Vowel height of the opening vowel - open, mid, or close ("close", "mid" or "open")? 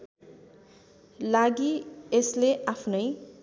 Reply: open